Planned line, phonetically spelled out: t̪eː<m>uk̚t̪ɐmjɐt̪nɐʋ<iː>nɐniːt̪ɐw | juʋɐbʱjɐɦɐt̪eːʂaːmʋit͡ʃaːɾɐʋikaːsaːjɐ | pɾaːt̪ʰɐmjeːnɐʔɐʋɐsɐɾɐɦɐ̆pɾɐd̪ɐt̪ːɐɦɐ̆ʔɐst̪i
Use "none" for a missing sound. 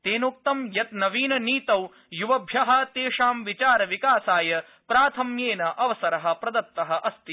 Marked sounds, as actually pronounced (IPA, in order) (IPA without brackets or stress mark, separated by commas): n, iː